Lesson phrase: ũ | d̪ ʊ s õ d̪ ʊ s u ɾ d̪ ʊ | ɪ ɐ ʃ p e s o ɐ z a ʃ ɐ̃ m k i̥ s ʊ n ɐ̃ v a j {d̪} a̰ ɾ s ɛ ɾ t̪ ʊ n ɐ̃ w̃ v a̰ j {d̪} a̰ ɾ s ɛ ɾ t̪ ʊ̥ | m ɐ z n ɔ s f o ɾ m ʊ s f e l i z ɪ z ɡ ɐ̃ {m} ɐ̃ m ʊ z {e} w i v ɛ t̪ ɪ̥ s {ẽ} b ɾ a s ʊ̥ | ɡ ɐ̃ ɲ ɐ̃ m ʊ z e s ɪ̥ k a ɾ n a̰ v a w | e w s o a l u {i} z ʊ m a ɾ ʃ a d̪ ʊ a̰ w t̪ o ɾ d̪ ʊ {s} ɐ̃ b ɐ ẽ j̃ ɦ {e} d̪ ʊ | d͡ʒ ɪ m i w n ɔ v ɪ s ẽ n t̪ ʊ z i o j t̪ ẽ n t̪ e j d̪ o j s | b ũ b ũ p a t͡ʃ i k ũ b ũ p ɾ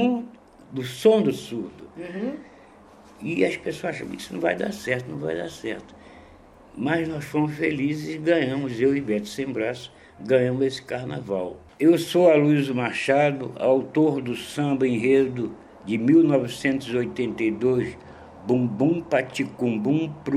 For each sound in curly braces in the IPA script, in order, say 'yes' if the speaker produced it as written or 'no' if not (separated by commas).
yes, yes, no, yes, yes, yes, yes, yes